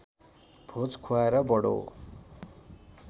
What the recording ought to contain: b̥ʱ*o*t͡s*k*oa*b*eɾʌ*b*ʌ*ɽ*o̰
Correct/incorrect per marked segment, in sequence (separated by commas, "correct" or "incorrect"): correct, incorrect, incorrect, correct, correct